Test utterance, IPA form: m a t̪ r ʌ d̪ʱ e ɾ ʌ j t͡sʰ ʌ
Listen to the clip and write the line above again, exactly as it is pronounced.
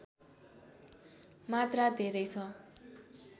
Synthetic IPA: m a t̪ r a d̪ʱ e ɾ ʌ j t͡sʰ ʌ